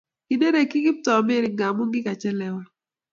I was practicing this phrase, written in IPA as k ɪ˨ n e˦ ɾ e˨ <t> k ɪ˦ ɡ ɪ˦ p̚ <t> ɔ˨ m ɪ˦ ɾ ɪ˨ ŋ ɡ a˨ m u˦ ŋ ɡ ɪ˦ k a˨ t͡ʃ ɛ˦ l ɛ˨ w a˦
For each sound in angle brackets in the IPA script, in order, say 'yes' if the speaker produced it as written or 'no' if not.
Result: no, yes

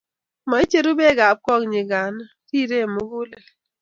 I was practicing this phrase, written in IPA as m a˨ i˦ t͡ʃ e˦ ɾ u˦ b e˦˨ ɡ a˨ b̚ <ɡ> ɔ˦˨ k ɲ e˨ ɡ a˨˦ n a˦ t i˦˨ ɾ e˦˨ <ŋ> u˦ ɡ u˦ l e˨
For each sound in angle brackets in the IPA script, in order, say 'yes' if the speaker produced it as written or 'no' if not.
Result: no, no

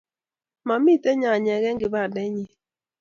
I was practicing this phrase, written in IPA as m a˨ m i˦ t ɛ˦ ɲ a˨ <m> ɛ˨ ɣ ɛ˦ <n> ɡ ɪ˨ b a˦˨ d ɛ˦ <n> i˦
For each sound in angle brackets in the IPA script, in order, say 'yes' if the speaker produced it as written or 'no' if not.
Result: no, no, no

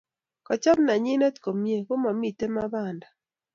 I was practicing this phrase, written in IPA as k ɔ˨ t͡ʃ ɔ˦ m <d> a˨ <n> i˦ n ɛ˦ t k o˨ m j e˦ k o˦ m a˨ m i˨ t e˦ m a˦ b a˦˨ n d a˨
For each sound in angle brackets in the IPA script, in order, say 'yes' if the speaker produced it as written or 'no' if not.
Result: no, no

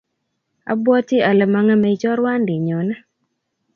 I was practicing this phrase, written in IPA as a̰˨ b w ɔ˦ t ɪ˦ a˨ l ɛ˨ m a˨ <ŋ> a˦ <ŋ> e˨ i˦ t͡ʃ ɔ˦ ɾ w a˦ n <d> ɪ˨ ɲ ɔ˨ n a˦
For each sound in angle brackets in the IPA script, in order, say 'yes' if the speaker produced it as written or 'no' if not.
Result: yes, no, yes

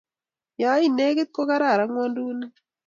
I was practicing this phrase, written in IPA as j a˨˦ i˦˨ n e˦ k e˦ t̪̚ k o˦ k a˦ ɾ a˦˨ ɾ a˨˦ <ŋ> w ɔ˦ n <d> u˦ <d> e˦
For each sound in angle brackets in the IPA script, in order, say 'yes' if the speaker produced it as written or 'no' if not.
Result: yes, yes, no

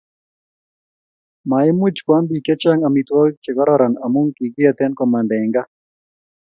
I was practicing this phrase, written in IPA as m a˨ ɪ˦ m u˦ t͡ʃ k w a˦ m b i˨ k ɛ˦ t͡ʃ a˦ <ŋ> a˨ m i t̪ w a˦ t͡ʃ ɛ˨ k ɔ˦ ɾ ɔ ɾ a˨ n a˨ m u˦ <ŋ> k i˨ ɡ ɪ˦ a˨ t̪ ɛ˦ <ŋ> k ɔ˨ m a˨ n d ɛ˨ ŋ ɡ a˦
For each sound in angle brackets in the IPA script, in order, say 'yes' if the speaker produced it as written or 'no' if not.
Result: yes, yes, no

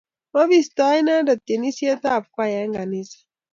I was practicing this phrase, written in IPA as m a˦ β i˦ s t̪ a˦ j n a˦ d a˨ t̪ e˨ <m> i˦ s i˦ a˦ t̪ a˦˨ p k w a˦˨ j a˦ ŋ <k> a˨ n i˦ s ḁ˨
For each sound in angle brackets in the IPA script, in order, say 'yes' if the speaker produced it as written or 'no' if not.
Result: no, no

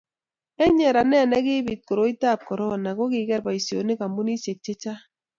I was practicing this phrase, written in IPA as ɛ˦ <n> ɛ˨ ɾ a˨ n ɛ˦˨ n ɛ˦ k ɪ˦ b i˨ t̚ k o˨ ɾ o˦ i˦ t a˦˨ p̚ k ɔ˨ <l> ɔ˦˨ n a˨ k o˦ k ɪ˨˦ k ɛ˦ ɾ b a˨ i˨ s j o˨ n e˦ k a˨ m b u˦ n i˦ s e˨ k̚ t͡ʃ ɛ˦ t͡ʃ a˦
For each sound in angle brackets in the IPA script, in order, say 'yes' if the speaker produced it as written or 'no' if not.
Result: no, no

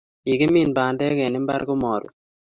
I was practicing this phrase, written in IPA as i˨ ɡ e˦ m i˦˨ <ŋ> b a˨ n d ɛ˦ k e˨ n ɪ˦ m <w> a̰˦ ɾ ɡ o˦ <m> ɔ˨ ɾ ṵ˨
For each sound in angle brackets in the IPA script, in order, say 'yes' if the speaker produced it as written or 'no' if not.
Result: no, no, yes

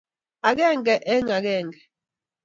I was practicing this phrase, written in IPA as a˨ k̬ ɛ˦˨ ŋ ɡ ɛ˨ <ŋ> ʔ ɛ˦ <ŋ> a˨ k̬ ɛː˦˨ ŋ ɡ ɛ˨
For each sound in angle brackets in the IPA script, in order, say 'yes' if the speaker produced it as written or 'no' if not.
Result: no, yes

